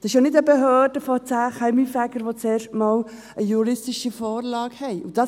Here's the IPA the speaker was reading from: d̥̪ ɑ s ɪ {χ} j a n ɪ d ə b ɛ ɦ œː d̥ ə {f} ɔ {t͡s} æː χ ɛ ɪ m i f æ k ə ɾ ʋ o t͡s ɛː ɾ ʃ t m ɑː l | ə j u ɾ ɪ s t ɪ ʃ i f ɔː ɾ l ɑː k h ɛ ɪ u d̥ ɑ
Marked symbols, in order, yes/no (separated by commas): no, yes, yes